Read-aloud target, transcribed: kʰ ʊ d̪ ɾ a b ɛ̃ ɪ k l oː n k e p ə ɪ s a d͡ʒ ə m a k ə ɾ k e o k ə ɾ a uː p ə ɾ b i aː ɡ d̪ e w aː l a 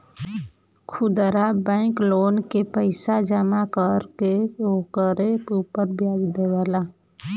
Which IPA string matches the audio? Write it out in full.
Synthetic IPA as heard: kʰ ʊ d̪ ɾ a b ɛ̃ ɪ k l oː n k e p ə ɪ s a d͡ʒ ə m a k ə ɾ k e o k ə ɾ e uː p ə ɾ b j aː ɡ d̪ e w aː l a